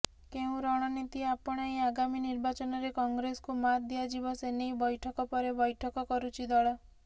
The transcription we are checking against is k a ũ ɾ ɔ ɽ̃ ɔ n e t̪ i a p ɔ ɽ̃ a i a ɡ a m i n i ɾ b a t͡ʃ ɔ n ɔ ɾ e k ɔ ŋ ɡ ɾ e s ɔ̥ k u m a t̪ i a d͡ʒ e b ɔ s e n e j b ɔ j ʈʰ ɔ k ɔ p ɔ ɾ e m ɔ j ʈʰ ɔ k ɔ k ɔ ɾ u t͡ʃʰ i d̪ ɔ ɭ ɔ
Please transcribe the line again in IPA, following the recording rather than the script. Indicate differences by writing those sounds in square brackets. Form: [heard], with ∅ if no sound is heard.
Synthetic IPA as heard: k [e] ũ ɾ ɔ ɽ̃ ɔ n [i] t̪ i a p ɔ ɽ̃ a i a ɡ a m i n i ɾ b a t͡ʃ ɔ n ɔ ɾ e k ɔ ŋ ɡ ɾ e s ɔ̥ k u m a [d̪] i a d͡ʒ [i] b ɔ s e n e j b ɔ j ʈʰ ɔ k ɔ p ɔ ɾ e [b] ɔ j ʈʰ ɔ k ɔ k ɔ ɾ u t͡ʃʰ i d̪ ɔ ɭ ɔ